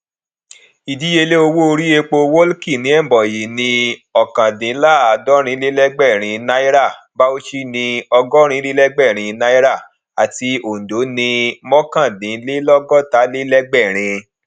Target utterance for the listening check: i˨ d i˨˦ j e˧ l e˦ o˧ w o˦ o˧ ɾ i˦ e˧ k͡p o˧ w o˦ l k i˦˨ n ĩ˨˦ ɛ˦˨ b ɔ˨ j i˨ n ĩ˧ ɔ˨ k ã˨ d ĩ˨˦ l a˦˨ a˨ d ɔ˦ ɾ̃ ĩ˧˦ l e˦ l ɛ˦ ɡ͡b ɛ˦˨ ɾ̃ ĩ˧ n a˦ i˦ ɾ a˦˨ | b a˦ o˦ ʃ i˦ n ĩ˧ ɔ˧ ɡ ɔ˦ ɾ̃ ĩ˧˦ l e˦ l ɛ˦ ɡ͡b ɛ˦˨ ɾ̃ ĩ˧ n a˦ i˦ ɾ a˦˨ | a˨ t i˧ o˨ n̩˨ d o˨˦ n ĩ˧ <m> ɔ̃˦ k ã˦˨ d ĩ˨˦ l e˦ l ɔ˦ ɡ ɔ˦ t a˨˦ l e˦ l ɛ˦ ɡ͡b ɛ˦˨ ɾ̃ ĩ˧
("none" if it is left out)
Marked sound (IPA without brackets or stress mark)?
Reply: m